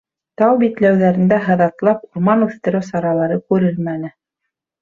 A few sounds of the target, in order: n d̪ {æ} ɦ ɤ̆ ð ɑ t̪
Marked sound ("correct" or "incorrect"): correct